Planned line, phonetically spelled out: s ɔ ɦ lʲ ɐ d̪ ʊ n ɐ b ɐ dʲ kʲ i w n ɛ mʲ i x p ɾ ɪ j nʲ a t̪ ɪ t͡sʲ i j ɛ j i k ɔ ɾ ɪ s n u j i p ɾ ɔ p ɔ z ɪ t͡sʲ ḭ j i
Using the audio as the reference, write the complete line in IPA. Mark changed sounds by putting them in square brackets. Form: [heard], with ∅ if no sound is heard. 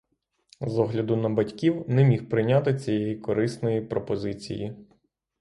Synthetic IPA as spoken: [z] ɔ ɦ lʲ ɐ d̪ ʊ n ɐ b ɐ [tʲ] kʲ i w n ɛ mʲ i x p ɾ ɪ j nʲ a t̪ ɪ t͡sʲ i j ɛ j i k ɔ ɾ ɪ s n [ɔ] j i p ɾ ɔ p ɔ z ɪ t͡sʲ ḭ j i

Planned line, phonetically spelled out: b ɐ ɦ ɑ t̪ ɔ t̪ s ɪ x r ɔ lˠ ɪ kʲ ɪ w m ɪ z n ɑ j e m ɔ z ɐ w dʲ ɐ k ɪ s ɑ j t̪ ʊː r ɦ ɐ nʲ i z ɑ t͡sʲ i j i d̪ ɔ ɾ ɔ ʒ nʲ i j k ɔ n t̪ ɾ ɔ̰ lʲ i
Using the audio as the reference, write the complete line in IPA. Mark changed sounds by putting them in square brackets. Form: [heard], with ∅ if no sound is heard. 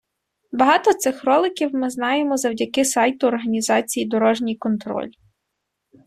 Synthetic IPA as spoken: b ɐ ɦ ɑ t̪ ɔ t̪ s ɪ x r ɔ lˠ ɪ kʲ [i] w m ɪ z n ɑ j e m ɔ z ɐ w dʲ ɐ k ɪ s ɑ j t̪ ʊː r ɦ ɐ nʲ i z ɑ t͡sʲ i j i d̪ ɔ ɾ ɔ ʒ nʲ i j k ɔ n t̪ ɾ ɔ̰ lʲ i

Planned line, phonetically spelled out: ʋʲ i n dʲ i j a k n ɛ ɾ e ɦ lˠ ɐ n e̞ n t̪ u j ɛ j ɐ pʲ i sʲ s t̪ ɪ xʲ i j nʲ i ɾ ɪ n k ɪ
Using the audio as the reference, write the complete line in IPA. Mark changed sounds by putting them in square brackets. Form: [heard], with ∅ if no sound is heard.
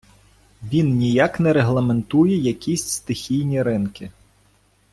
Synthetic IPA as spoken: ʋʲ i n [nʲ] i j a k n ɛ ɾ e ɦ lˠ ɐ [m] e̞ n t̪ u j ɛ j ɐ [kʲ] i sʲ s t̪ ɪ xʲ i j nʲ i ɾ ɪ n k ɪ

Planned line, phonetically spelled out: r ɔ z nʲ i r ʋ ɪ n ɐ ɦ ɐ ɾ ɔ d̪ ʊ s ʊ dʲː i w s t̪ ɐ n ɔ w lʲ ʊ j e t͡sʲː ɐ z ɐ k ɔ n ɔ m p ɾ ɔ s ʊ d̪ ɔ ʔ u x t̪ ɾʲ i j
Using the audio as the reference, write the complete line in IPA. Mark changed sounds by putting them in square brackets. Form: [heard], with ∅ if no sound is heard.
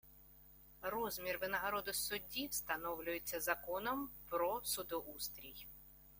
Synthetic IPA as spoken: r ɔ z [mʲ] i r ʋ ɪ n ɐ ɦ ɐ ɾ ɔ d̪ ʊ s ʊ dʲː i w s t̪ ɐ n ɔ w lʲ ʊ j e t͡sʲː ɐ z ɐ k ɔ n ɔ m p ɾ ɔ s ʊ d̪ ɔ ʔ u [s] t̪ ɾʲ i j

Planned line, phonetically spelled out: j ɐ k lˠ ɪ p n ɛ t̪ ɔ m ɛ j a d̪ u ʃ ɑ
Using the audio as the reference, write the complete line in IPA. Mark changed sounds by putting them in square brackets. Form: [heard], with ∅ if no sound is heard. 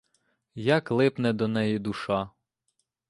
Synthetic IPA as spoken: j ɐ k lˠ ɪ p n ɛ [d̪] ɔ [n] ɛ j [i] d̪ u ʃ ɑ

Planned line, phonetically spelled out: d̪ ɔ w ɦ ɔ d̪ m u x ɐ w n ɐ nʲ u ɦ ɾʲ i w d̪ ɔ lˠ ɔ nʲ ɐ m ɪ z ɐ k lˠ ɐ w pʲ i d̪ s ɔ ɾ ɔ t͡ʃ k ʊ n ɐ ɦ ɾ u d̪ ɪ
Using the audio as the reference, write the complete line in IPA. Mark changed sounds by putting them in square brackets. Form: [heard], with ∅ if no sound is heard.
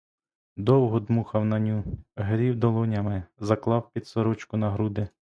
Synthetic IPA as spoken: d̪ ɔ w ɦ ɔ d̪ m u x ɐ w n ɐ nʲ u ɦ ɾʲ i w d̪ ɔ lˠ ɔ nʲ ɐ m ɪ z ɐ k lˠ [ɑ] w pʲ i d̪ s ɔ ɾ ɔ t͡ʃ k ʊ n ɐ ɦ ɾ u d̪ ɪ

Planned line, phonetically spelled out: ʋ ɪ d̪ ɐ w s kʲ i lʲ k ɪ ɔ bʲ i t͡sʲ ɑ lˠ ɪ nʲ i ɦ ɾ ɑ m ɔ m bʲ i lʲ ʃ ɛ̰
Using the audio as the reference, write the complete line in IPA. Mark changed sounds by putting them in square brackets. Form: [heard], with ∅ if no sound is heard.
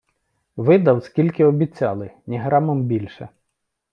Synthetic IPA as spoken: ʋ ɪ d̪ ɐ w s kʲ i lʲ k ɪ ɔ bʲ i t͡sʲ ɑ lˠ ɪ nʲ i ɦ ɾ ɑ m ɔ m bʲ i lʲ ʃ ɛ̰

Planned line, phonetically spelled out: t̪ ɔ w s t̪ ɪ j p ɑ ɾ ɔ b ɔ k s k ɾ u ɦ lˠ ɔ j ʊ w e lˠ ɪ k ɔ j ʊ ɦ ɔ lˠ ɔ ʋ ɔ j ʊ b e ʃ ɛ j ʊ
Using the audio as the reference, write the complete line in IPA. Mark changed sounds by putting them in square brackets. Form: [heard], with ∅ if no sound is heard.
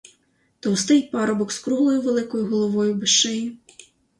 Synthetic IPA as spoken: t̪ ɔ w s t̪ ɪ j p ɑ ɾ ɔ b ɔ k s k ɾ u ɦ lˠ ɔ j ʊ [ʋ] e lˠ ɪ k ɔ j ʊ ɦ ɔ lˠ ɔ ʋ ɔ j ʊ b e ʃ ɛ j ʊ

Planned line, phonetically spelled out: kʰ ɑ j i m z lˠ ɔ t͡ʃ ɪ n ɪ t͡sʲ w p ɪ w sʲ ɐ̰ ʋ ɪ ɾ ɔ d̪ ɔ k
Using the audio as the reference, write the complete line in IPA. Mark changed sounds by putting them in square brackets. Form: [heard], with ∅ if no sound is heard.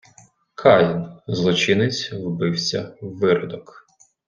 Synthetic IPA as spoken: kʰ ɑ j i [n] z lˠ ɔ t͡ʃ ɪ n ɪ t͡sʲ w [b] ɪ w sʲ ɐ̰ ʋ ɪ ɾ ɔ d̪ ɔ k

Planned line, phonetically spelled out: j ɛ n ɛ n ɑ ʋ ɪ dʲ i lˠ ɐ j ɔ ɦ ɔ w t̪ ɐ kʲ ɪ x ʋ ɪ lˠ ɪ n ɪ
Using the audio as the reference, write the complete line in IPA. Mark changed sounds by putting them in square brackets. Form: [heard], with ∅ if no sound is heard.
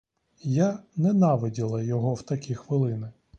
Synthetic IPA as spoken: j [a] n ɛ n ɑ ʋ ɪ dʲ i lˠ ɐ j ɔ ɦ ɔ w t̪ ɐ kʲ [i] x ʋ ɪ lˠ ɪ n ɪ

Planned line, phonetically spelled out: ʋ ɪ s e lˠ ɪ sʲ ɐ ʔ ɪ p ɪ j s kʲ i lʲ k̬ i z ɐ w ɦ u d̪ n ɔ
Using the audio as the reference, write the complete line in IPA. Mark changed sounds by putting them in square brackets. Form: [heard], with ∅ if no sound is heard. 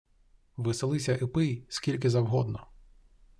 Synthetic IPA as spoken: ʋ ɪ s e lˠ ɪ sʲ ɐ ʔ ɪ p ɪ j s kʲ i lʲ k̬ [ɪ] z ɐ w ɦ [ɔ] d̪ n ɔ

